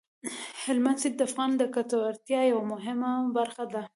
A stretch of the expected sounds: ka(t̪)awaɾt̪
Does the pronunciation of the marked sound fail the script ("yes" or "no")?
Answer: no